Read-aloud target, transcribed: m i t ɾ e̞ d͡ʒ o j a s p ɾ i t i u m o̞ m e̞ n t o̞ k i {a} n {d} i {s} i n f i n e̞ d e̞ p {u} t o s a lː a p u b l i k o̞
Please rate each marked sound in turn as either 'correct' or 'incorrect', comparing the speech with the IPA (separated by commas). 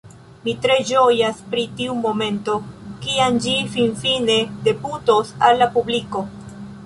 correct, incorrect, incorrect, correct